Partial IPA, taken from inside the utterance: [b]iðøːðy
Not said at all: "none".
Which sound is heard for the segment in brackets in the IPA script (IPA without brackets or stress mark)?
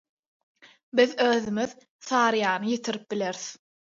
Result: b